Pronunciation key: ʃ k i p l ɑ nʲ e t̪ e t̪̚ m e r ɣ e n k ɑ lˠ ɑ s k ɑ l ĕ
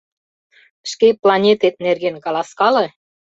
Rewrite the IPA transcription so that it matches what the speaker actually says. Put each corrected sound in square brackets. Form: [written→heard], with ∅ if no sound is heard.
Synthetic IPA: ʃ k [i→e] p l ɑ nʲ e t̪ e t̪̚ [m→n] e r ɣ e n k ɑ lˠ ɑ s k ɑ l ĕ